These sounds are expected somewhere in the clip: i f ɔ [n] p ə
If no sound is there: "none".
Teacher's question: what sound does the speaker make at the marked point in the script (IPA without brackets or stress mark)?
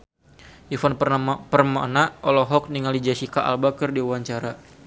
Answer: n